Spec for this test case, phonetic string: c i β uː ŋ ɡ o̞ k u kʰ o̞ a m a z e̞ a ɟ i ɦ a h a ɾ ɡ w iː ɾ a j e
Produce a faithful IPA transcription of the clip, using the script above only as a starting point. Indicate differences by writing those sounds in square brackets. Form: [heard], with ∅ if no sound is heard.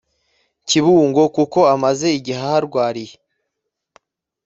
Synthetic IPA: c i β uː ŋ ɡ o̞ k u [k] o̞ a m a z e̞ [i] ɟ i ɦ a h a ɾ ɡ w [aː] ɾ [i] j e